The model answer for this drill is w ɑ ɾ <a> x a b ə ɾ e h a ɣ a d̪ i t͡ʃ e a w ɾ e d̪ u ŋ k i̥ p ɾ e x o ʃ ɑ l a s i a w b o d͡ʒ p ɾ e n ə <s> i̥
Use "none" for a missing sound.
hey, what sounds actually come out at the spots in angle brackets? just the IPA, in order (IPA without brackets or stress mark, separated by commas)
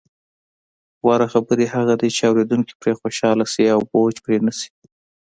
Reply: a, s